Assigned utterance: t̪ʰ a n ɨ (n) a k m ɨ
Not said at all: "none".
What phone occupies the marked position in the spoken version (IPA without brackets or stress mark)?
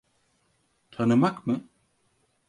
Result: m